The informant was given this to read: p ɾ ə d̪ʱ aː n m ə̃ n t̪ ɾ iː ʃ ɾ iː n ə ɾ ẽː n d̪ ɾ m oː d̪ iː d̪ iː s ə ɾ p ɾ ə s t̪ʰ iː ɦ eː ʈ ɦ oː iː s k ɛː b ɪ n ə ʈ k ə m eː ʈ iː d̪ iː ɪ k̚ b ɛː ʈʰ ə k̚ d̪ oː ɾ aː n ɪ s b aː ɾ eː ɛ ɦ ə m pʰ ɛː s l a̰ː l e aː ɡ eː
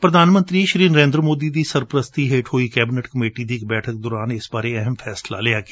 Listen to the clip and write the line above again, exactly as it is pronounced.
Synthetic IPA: p ɾ ə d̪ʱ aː n m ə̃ n t̪ ɾ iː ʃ ɾ iː n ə ɾ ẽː n d̪ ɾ m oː d̪ iː d̪ iː s ə ɾ p ɾ ə s t̪ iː ɦ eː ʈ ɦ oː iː k ɛː b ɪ n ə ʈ k ə m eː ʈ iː d̪ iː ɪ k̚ b ɛː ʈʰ ə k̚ d̪ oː ɾ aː n ɪ s b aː ɾ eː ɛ ɦ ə m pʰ ɛː s l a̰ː l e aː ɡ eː